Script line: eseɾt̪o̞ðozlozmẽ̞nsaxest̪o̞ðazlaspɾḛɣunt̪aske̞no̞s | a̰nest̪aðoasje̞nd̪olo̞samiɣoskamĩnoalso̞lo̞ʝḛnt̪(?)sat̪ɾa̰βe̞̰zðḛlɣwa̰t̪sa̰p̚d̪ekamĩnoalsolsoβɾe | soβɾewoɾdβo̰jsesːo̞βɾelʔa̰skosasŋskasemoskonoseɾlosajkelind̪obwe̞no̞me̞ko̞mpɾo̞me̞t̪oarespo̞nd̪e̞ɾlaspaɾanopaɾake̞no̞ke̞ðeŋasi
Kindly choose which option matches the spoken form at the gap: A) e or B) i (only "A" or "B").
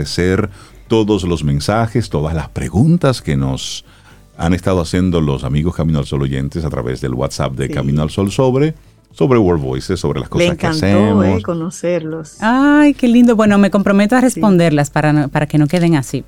A